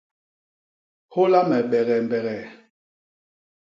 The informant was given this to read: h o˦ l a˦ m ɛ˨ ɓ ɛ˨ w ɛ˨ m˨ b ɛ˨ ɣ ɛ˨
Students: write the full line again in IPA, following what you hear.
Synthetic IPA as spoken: h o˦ l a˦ m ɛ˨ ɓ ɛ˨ ɣ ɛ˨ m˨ b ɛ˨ ɣ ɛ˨